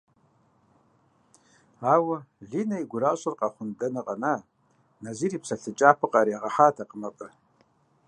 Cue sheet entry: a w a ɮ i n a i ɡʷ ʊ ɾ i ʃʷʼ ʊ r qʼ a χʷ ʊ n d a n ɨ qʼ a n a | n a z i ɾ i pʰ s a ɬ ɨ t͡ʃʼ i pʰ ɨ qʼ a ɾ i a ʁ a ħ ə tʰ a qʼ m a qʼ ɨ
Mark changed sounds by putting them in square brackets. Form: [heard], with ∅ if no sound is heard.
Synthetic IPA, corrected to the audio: a w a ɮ i n a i ɡʷ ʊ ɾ [a] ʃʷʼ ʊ r qʼ a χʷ ʊ n d a n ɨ qʼ a n a | n a z i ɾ i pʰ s a ɬ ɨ t͡ʃʼ [a] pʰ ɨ qʼ a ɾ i a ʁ a ħ [a] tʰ a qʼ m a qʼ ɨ

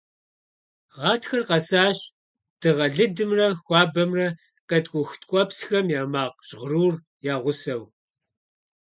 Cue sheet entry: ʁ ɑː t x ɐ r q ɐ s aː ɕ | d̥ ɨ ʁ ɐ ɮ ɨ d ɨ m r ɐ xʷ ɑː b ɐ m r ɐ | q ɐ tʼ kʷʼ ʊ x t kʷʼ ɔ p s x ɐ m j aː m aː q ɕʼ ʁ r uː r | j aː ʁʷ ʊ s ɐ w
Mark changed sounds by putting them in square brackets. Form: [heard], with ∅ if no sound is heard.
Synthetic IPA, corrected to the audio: ʁ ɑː t x ɐ r q ɐ s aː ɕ | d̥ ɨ ʁ ɐ ɮ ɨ d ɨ m r ɐ xʷ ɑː b ɐ m r ɐ | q ɐ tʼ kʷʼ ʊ x t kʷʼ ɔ p s x ɐ m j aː m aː q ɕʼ ʁ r uː r | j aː ʁʷ ʊ s ɐ w

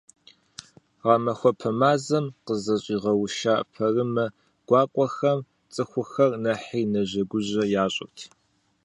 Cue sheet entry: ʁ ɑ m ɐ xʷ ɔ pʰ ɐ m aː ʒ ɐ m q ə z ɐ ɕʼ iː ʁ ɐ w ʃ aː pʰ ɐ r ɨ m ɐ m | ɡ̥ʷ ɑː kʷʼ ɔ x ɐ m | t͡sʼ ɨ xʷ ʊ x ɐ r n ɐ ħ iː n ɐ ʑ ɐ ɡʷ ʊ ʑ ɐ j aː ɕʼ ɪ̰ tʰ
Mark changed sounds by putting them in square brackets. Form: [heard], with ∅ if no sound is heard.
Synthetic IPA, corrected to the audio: ʁ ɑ m ɐ xʷ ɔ pʰ ɐ m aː [z] ɐ m q ə z ɐ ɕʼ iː ʁ ɐ w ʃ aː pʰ ɐ r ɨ m ɐ [∅] | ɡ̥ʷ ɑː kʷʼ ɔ x ɐ m | t͡sʼ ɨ xʷ ʊ x ɐ r n ɐ ħ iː n ɐ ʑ ɐ ɡʷ ʊ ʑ ɐ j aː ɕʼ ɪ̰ tʰ

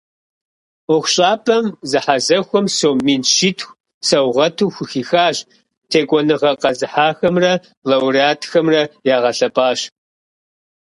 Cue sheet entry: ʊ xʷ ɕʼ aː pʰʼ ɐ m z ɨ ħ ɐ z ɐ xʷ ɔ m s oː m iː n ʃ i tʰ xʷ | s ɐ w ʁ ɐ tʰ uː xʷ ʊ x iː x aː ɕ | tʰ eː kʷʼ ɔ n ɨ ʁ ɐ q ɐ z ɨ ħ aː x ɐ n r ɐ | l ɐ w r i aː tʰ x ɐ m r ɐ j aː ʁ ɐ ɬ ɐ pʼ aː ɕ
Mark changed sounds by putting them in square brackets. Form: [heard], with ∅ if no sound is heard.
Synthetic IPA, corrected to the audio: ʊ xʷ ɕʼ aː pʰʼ ɐ m z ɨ ħ [a] z ɐ xʷ ɔ m s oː m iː n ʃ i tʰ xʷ | s ɐ w ʁ ɐ tʰ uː xʷ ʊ x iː x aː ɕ | tʰ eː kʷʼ ɔ n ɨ ʁ ɐ q ɐ z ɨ ħ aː x ɐ [m] r ɐ | l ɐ w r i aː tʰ x ɐ m r ɐ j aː ʁ ɐ ɬ ɐ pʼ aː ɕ

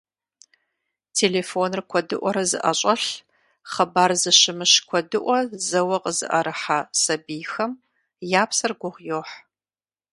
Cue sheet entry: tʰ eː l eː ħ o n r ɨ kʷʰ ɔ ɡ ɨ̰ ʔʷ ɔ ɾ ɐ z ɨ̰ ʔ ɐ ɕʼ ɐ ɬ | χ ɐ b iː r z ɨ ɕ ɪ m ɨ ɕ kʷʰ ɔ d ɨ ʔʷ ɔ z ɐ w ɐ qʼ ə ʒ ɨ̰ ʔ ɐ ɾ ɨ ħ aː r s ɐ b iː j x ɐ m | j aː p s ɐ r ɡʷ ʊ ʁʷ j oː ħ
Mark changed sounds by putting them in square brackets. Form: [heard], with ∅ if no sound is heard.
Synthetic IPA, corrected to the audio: tʰ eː l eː [f] o n r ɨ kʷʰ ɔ [d] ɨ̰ ʔʷ ɔ ɾ ɐ z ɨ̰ ʔ ɐ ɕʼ ɐ ɬ | χ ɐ b [aː] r z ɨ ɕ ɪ m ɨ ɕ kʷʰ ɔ d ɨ ʔʷ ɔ z ɐ w ɐ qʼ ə [z] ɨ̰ ʔ ɐ ɾ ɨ ħ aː [∅] s ɐ b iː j x ɐ m | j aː p s ɐ r ɡʷ ʊ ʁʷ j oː ħ

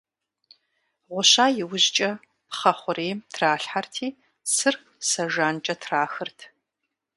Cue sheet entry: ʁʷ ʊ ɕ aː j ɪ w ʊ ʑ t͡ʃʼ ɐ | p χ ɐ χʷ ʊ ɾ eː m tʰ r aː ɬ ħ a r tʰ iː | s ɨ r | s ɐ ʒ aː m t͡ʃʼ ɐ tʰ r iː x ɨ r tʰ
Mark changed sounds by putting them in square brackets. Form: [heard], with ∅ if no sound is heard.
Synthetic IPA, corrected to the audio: ʁʷ ʊ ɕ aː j ɪ w ʊ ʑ t͡ʃʼ ɐ | p χ ɐ χʷ ʊ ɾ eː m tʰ r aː ɬ ħ a r tʰ iː | s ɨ r | s ɐ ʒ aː [n] t͡ʃʼ ɐ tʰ r [aː] x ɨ r tʰ

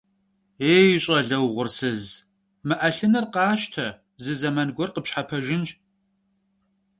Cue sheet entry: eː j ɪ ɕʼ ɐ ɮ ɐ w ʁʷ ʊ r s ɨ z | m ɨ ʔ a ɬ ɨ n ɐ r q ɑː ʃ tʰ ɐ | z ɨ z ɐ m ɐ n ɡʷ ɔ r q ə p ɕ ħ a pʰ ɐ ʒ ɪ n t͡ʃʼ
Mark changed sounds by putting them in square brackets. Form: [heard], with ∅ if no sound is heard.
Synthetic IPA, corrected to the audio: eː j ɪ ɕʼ ɐ ɮ ɐ w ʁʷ ʊ r s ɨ z | m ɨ ʔ [ɐ] ɬ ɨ n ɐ r q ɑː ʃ tʰ ɐ | z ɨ z ɐ m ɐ n ɡʷ ɔ r q ə p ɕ ħ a pʰ ɐ ʒ ɪ n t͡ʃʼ

